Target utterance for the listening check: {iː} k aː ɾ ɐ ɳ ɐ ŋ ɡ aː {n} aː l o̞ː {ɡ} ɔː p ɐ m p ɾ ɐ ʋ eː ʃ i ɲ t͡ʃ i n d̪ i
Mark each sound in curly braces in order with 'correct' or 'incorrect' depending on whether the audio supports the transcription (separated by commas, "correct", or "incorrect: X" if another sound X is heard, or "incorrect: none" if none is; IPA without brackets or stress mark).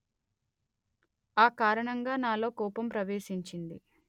incorrect: aː, correct, incorrect: k